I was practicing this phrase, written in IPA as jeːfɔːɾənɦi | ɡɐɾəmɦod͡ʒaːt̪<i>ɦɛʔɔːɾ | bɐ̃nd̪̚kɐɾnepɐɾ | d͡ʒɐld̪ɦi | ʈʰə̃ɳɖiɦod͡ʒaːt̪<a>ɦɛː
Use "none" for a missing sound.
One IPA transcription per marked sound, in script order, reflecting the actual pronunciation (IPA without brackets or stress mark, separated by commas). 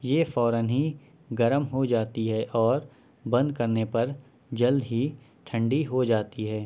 i, i